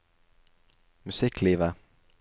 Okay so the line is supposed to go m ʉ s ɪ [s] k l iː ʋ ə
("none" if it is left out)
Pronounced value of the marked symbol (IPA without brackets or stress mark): none